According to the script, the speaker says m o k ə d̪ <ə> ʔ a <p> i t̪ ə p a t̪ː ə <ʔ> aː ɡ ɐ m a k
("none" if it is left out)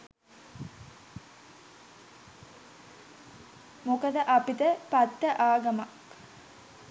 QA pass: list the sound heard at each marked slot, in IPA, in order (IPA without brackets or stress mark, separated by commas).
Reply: ə, p, ʔ